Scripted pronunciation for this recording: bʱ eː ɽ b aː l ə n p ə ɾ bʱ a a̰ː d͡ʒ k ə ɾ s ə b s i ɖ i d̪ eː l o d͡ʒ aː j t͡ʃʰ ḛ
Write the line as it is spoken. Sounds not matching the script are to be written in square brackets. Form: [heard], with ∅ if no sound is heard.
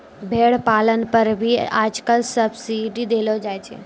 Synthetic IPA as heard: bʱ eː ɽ [p] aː l ə n p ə ɾ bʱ [i] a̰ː d͡ʒ k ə [l] s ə b s i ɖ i d̪ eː l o d͡ʒ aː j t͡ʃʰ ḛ